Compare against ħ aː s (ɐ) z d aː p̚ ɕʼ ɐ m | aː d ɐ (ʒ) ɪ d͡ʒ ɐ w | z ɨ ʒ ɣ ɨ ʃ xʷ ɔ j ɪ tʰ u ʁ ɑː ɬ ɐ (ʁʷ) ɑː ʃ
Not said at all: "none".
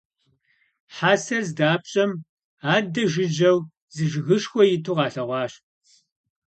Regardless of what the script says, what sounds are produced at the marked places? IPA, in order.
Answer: ɐ, ʒ, ʁʷ

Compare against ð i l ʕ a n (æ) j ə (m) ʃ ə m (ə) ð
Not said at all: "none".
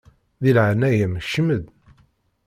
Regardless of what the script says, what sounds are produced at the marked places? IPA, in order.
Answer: æ, m, ə

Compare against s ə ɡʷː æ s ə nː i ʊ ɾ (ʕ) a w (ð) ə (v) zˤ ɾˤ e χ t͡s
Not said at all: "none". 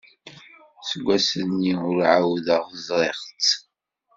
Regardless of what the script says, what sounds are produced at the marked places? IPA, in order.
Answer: ʕ, ð, ʁ

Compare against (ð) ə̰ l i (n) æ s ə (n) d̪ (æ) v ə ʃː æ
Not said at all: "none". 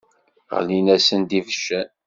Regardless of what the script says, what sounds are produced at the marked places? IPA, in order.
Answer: ʁ, n, n, i

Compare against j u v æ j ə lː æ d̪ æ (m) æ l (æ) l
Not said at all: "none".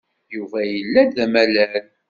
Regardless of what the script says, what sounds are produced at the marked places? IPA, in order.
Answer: m, æ

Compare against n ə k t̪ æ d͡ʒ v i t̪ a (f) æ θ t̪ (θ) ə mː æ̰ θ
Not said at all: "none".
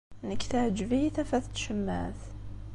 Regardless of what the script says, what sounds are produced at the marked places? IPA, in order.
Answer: f, ʃ

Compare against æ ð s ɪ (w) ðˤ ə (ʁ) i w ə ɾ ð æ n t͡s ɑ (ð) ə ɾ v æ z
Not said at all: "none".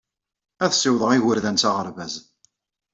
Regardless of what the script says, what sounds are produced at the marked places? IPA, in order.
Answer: w, ʁ, ʁ

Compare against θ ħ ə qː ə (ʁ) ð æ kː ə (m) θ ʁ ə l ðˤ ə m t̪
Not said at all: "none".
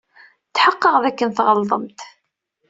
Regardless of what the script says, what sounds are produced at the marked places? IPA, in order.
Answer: ʁ, n

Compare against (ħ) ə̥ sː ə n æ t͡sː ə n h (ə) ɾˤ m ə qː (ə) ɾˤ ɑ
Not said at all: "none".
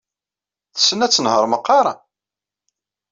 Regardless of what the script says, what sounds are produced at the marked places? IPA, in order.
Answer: θ, ə, ɑ

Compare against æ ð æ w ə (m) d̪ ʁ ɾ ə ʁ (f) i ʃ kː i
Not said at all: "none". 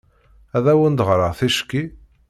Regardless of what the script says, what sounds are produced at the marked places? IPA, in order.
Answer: n, θ

